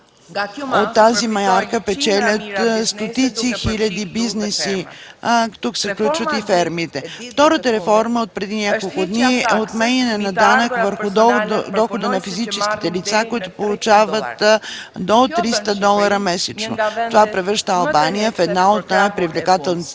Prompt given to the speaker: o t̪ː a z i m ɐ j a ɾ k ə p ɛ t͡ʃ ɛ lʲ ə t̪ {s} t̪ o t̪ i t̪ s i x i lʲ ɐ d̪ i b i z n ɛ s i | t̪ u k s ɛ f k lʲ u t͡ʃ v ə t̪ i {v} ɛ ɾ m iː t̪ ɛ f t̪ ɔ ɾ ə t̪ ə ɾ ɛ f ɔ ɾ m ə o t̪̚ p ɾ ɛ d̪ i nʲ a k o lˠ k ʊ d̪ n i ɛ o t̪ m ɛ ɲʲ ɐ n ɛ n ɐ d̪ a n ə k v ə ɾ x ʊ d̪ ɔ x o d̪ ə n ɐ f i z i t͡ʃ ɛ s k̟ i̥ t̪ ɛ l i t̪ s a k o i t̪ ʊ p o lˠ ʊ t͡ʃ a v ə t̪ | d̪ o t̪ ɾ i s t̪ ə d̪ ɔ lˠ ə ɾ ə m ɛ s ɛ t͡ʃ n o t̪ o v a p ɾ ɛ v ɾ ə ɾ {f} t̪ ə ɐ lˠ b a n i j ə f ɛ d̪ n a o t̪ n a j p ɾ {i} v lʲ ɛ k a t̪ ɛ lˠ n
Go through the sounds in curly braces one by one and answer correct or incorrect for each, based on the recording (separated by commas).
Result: correct, incorrect, incorrect, correct